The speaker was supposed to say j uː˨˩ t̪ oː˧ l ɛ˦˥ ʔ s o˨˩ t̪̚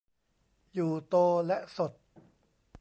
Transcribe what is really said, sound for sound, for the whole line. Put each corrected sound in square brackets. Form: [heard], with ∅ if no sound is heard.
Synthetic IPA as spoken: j uː˨˩ t̪ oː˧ l ɛ˦˥ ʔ s o˨˩ t̪̚